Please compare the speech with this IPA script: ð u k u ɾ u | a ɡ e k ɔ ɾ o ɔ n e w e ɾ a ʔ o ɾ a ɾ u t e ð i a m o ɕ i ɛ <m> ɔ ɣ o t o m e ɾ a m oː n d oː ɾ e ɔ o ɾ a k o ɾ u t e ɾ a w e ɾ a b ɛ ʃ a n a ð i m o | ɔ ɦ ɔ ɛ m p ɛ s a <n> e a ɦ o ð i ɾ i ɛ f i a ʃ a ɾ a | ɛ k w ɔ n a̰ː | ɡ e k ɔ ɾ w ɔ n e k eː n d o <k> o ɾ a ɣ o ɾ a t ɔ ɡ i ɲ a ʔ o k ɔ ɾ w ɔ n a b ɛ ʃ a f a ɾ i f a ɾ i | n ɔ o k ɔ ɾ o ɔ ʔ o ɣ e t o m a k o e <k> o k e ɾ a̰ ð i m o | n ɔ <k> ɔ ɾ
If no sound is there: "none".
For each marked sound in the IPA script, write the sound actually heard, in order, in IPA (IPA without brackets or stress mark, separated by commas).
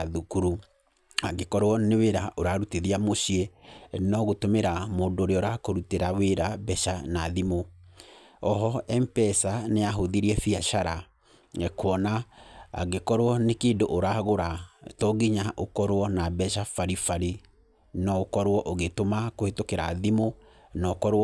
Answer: n, n, ʔ, t, k